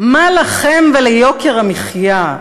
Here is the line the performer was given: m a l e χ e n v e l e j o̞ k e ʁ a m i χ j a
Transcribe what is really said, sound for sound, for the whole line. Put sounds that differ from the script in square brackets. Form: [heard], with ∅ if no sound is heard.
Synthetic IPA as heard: m a l [a] χ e [m] v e l e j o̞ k e ʁ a m i χ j a